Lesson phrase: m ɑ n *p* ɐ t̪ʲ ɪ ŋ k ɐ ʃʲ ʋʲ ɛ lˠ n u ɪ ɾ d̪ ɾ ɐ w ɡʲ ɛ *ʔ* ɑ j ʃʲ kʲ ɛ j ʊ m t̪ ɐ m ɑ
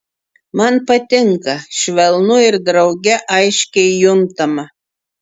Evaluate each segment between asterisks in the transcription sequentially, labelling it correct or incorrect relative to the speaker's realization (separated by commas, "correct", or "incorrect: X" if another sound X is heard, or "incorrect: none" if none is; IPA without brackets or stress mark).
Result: correct, correct